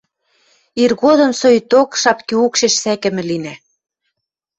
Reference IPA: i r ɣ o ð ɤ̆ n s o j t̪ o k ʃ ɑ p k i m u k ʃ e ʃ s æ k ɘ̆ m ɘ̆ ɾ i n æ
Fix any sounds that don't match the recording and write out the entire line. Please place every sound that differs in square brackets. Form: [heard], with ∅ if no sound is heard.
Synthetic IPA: i r ɣ o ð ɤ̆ [m] s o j t̪ o k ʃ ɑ p k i [∅] u k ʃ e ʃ s æ k ɘ̆ m ɘ̆ [l] i n æ